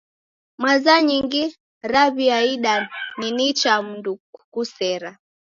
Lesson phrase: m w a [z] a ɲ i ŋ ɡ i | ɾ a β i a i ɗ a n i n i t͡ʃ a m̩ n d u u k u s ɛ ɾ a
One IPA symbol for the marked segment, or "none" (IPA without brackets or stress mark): z